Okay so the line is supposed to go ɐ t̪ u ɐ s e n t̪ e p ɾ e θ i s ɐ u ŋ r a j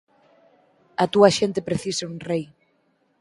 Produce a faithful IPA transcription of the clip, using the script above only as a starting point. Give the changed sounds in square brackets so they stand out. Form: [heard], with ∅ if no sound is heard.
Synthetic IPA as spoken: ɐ t̪ u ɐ [ʃ] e n t̪ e p ɾ e θ i s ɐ u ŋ r [e] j